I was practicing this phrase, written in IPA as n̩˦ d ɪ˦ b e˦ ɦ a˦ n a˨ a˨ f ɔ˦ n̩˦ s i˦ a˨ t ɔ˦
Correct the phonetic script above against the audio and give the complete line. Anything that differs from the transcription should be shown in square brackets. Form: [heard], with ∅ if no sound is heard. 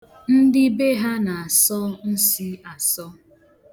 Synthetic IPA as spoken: n̩˦ d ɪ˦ b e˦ ɦ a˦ n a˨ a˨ [s] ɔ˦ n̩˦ s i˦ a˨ [s] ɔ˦